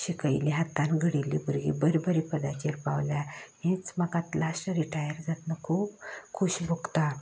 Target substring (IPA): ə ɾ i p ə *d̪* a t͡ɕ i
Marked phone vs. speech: correct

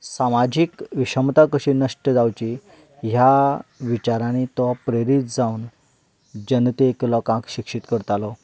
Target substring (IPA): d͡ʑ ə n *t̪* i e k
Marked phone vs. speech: correct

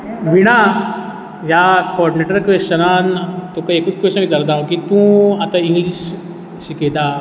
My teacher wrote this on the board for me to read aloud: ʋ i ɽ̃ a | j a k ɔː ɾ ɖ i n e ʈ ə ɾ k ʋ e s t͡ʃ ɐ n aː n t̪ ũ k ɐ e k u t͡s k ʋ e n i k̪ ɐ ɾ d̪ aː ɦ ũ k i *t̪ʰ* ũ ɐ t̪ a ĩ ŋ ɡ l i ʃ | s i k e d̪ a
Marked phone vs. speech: incorrect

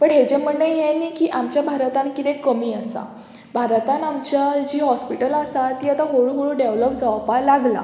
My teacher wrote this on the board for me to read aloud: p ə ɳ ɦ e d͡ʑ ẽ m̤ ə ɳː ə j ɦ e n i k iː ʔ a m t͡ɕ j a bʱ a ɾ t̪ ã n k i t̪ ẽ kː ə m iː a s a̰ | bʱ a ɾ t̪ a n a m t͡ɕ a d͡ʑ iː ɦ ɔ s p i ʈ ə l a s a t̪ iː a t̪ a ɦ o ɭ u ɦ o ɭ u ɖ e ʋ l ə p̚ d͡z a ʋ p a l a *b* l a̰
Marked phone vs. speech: incorrect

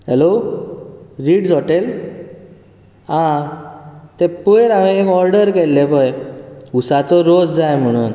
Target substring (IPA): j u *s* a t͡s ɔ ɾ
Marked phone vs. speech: correct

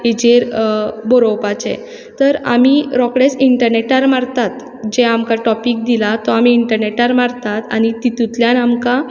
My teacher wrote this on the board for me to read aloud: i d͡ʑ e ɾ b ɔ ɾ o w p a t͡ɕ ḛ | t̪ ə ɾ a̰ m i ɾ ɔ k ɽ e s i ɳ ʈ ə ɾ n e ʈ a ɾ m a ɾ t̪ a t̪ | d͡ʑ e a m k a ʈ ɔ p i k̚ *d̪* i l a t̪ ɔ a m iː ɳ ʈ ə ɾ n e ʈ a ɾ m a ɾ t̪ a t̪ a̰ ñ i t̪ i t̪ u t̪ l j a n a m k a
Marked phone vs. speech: correct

